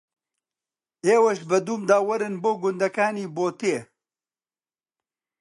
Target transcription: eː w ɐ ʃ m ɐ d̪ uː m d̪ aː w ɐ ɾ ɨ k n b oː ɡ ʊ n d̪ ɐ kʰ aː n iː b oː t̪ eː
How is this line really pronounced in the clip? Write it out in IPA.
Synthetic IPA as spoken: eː w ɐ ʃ b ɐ d̪ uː m d̪ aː w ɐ ɾ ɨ n b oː ɡ ʊ n d̪ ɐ k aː n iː b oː t̪ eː